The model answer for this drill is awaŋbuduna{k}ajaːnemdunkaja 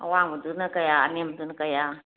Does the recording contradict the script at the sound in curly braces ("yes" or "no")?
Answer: no